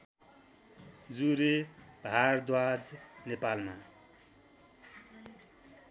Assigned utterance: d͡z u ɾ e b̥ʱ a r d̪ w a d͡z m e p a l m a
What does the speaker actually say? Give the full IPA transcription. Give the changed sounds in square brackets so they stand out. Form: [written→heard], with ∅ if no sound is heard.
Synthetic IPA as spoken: d͡z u ɾ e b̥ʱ a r d̪ w a d͡z [m→n] e p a l m a